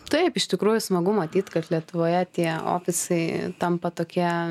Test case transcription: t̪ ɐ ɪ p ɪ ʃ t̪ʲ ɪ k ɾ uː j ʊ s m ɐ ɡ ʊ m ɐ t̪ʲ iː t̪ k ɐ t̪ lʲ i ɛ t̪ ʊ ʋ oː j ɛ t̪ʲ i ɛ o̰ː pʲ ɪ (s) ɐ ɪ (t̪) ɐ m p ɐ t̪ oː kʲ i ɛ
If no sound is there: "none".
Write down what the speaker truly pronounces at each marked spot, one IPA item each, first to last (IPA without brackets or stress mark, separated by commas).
s, t̪